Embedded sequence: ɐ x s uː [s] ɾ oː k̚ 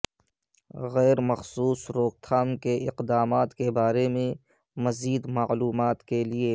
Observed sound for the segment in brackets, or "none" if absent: s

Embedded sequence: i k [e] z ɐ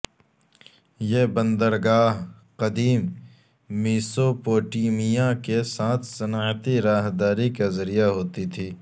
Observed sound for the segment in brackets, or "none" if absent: a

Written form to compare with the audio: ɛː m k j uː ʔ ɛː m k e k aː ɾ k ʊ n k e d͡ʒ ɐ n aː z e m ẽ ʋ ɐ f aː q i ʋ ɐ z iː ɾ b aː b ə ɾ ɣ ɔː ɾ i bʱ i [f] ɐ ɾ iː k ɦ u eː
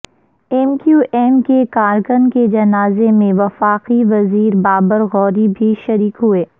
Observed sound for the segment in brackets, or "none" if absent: ʃ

